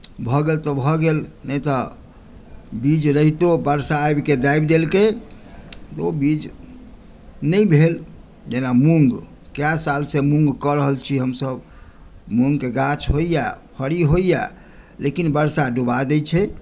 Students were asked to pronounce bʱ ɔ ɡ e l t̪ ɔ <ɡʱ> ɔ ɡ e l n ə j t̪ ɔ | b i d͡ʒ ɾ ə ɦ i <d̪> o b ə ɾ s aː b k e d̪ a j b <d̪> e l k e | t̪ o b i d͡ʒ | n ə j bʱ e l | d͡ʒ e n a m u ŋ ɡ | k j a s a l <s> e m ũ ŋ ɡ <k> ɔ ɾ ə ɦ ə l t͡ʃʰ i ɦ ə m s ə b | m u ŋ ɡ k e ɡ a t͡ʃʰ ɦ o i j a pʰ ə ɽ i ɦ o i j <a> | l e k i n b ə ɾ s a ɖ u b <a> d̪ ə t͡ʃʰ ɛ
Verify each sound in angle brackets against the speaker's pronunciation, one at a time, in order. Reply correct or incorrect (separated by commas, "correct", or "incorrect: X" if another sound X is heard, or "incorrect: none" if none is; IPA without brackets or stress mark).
incorrect: bʱ, incorrect: t̪, correct, correct, correct, correct, correct